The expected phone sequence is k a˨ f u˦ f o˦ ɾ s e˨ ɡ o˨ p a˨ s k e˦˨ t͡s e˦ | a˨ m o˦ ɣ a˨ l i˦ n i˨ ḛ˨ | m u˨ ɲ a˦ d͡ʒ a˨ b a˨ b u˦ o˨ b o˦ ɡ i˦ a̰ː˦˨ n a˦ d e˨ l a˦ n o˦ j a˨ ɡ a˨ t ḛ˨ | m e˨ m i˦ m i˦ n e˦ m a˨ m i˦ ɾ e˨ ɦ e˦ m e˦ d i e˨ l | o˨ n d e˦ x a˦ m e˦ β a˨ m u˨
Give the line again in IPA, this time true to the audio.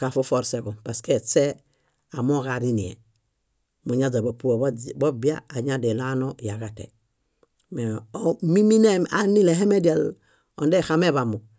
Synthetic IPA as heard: k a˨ f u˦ f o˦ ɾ s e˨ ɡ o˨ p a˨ s k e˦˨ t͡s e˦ | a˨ m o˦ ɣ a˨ ɾ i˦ n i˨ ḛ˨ | m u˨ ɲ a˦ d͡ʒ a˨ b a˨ p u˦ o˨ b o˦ b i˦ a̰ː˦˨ ɲ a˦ d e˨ l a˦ n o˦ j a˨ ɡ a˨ t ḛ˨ | m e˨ m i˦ m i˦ n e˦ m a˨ n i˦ l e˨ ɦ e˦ m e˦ d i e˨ l | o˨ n d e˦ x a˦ m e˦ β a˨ m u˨